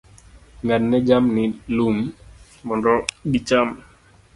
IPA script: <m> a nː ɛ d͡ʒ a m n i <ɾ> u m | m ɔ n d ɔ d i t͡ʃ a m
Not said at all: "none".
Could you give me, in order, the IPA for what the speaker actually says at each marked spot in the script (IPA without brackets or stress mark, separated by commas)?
ŋ, l